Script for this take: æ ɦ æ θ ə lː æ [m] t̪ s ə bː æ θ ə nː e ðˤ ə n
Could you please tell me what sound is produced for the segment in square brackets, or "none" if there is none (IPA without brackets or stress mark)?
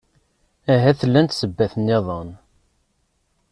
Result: n